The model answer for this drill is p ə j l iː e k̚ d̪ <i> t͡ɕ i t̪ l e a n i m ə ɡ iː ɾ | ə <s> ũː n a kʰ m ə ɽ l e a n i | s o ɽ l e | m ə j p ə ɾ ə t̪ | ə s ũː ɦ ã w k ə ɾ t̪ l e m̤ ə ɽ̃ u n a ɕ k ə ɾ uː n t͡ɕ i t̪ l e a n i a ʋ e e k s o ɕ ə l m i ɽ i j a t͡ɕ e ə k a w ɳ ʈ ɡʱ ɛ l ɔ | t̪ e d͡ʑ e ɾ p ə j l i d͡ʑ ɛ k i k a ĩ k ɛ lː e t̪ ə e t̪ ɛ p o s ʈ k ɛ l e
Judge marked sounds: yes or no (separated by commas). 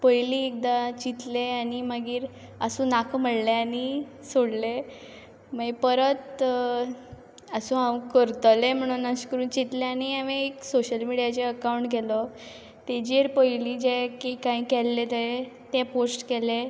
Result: no, yes